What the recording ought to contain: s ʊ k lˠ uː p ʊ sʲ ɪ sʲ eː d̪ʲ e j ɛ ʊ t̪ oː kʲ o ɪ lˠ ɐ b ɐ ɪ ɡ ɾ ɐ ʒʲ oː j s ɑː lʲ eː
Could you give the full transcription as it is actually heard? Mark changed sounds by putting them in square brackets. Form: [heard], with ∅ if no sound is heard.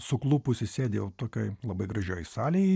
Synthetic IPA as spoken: s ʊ k lˠ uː p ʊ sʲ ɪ sʲ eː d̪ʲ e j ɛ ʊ t̪ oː kʲ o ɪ lˠ ɐ b ɐ ɪ ɡ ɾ ɐ ʒʲ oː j s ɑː lʲ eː